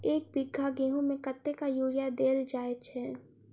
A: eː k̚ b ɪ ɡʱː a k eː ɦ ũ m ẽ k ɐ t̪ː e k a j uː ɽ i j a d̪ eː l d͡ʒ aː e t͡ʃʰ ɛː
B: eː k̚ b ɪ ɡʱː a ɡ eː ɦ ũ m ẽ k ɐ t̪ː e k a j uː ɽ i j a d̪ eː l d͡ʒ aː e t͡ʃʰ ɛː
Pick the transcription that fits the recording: B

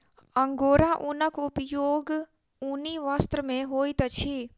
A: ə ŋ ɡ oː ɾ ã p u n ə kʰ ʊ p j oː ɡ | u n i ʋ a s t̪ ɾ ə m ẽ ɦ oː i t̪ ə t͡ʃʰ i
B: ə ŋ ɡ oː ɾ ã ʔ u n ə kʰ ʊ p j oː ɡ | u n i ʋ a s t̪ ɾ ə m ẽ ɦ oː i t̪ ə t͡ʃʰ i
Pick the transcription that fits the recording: B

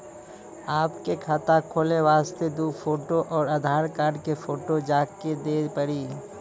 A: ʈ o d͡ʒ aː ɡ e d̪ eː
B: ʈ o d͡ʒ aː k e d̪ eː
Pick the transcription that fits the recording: B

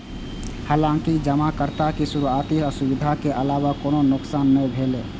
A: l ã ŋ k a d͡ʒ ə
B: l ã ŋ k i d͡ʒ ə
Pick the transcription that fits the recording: B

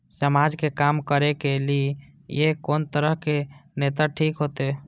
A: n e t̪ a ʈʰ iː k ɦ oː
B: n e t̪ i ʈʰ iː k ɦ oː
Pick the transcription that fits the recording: A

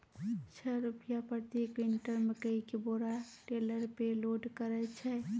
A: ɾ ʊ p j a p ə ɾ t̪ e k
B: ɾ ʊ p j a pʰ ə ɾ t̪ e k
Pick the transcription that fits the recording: A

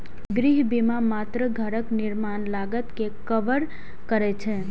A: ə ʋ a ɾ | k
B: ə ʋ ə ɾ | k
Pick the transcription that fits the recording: B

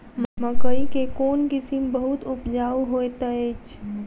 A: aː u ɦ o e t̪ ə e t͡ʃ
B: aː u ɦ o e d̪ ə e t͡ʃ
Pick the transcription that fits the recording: A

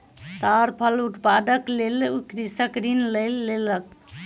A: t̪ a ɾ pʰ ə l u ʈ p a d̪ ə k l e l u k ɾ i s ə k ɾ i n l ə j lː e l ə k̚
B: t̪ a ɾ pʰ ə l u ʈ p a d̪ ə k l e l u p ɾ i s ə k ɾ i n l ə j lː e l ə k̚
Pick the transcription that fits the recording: A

